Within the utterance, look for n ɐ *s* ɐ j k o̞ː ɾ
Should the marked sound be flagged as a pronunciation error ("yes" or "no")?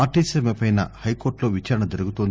yes